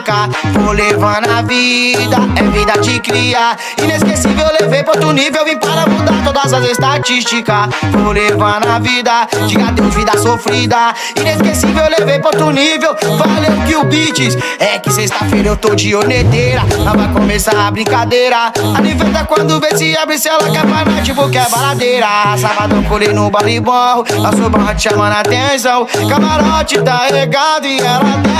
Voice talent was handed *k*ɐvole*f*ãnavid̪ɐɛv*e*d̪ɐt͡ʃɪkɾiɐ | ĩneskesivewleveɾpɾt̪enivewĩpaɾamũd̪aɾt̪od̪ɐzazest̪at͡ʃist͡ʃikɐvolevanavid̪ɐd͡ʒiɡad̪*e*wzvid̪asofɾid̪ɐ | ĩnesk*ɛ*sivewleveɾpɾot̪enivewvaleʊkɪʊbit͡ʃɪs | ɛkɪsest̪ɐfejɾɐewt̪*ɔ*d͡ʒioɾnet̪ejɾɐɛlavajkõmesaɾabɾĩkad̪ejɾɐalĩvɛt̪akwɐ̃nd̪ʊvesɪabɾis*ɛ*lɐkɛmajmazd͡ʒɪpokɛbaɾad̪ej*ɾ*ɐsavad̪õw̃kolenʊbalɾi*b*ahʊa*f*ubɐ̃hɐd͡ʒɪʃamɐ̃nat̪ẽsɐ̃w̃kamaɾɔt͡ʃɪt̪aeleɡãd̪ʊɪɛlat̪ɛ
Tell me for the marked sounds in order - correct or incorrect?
correct, incorrect: v, incorrect: i, correct, incorrect: e, incorrect: o, correct, correct, correct, incorrect: s

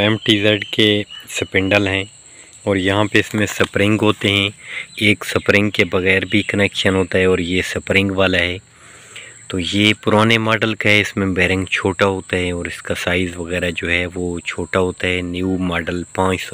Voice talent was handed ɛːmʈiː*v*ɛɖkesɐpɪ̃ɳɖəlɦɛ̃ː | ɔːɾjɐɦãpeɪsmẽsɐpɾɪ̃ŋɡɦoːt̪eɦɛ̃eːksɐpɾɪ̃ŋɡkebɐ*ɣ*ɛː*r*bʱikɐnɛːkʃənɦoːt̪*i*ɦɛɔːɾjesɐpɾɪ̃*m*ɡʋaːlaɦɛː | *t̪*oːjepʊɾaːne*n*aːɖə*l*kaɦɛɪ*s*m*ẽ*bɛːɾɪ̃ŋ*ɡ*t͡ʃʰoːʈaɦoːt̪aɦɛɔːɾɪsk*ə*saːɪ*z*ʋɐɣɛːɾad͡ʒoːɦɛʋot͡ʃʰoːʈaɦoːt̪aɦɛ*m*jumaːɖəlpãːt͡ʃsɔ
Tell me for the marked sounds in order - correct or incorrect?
incorrect: z, correct, incorrect: ɾ, incorrect: a, incorrect: ŋ, correct, incorrect: m, correct, correct, correct, correct, incorrect: a, correct, incorrect: n

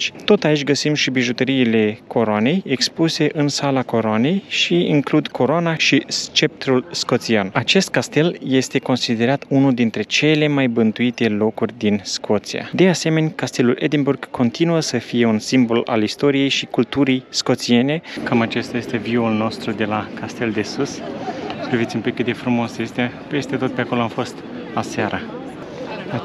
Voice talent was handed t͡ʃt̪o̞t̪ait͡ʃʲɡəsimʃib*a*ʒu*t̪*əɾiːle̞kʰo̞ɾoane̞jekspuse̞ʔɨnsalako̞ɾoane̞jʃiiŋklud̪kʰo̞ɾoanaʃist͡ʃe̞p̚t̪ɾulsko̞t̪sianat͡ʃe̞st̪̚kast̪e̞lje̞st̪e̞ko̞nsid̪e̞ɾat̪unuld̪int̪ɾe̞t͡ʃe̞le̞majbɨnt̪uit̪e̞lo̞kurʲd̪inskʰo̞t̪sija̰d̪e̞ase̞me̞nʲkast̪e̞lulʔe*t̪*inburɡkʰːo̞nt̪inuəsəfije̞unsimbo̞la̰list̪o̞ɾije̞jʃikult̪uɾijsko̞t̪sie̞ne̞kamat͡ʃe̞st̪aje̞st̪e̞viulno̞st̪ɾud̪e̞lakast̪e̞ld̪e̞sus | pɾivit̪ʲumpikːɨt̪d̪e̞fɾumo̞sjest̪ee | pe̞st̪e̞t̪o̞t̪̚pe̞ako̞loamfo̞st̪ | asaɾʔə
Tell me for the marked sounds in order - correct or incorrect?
incorrect: i, correct, incorrect: d̪

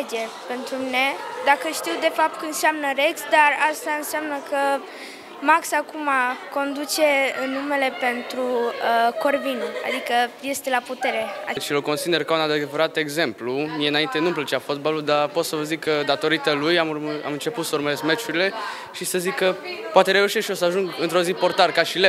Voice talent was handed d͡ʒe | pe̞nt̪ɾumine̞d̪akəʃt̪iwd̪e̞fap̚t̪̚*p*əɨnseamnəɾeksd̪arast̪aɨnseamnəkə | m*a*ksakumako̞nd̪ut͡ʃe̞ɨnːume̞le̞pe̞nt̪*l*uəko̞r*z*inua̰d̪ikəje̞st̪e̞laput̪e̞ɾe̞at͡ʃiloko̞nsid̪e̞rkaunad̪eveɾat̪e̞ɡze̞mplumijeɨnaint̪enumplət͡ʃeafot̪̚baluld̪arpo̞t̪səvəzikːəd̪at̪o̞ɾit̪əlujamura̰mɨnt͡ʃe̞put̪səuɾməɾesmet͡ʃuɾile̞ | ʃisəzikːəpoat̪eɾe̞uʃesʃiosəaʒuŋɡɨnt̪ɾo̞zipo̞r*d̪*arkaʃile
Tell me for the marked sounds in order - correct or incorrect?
incorrect: k, correct, incorrect: ɾ, incorrect: v, incorrect: t̪

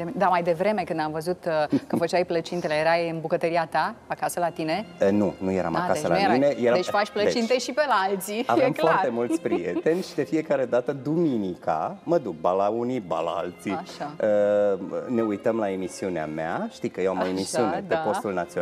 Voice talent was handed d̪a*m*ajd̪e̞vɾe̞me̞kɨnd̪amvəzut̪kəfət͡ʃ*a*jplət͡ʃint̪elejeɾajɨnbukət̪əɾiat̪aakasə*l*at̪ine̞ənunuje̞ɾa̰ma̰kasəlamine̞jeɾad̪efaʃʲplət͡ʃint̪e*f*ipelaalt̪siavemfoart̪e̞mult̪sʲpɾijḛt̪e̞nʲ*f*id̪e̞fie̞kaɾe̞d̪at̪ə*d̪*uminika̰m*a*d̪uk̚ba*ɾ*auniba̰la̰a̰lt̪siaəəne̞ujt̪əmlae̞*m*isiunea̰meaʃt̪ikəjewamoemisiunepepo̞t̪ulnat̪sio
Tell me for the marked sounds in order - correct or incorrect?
correct, correct, correct, incorrect: ʃ, incorrect: ʃ, correct, incorrect: ə, incorrect: l, correct

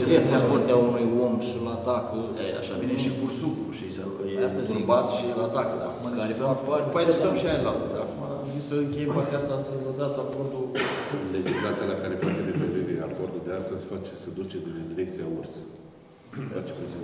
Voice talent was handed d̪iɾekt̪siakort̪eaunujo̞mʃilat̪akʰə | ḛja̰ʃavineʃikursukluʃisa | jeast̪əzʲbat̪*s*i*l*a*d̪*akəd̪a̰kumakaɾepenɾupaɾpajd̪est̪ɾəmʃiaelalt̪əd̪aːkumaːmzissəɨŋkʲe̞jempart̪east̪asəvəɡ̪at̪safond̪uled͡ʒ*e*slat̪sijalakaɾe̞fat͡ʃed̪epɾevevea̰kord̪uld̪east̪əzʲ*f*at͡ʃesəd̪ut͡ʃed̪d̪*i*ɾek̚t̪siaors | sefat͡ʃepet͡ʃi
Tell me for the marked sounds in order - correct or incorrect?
incorrect: ʃ, correct, incorrect: t̪, incorrect: i, correct, correct

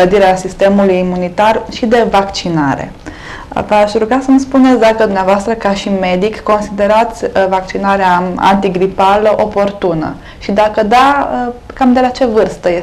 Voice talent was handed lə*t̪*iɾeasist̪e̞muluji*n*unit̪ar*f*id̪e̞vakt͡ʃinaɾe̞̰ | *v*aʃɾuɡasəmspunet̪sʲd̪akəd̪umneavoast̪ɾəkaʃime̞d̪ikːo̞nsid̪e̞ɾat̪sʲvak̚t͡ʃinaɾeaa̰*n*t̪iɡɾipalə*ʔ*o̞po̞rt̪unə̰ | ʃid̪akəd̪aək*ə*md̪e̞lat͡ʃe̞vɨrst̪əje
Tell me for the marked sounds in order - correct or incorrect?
incorrect: d̪, incorrect: m, incorrect: ʃ, correct, correct, correct, incorrect: a

